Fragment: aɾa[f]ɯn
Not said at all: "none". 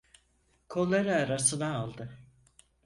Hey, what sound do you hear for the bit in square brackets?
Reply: s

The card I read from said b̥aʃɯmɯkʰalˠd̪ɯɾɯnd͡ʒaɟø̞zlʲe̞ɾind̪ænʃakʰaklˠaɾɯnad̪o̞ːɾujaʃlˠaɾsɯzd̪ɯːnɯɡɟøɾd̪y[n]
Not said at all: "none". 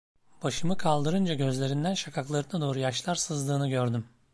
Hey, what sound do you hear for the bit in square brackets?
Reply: m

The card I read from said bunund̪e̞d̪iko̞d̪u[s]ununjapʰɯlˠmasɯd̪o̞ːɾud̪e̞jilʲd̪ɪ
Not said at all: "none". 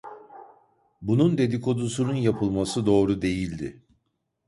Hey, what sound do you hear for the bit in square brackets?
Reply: s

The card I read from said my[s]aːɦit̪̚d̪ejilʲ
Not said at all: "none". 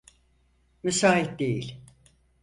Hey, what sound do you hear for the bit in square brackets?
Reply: s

